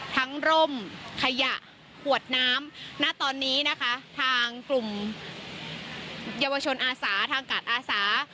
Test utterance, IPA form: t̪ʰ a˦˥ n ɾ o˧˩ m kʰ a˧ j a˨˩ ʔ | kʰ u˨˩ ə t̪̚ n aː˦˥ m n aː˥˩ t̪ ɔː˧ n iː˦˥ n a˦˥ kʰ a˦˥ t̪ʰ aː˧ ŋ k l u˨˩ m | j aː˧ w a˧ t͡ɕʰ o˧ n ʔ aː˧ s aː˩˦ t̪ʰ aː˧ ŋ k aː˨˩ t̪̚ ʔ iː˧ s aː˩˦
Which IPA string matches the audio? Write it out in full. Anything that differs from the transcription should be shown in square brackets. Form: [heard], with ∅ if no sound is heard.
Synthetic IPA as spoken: t̪ʰ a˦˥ [ŋ] ɾ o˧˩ m kʰ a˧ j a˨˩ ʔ | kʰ u˨˩ ə t̪̚ n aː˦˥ m n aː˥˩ t̪ ɔː˧ [nː] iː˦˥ n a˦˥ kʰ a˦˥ t̪ʰ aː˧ ŋ k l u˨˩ m | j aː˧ w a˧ t͡ɕʰ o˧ n ʔ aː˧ s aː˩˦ t̪ʰ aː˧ ŋ k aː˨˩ t̪̚ ʔ [aː˧] s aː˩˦